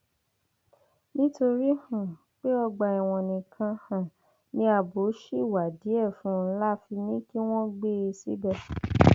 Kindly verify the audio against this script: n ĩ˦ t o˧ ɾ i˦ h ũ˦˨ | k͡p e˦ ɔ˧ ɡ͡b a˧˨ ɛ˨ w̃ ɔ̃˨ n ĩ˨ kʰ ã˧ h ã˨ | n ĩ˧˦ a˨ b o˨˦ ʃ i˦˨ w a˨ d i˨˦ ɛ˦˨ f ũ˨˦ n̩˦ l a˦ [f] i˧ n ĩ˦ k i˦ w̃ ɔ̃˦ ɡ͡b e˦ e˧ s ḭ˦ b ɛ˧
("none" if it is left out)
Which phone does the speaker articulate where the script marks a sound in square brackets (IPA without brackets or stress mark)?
f